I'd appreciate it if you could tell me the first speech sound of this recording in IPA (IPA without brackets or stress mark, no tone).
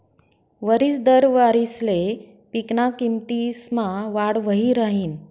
ʋ